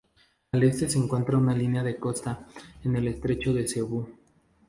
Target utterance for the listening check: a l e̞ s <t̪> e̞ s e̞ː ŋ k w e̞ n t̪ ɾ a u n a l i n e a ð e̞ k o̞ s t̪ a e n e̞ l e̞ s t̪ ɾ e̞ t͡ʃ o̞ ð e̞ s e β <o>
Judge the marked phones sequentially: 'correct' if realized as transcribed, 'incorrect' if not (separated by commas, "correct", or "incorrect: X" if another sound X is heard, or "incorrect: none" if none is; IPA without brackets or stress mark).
correct, incorrect: u